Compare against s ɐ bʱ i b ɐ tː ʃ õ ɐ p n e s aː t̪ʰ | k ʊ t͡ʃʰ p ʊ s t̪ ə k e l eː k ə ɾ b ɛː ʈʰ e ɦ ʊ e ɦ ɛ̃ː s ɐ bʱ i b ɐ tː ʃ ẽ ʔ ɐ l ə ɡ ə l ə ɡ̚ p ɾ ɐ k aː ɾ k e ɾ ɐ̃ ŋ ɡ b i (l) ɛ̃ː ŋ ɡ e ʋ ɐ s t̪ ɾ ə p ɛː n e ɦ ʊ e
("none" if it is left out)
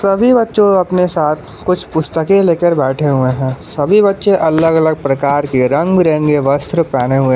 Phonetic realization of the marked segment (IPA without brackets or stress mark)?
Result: ɾ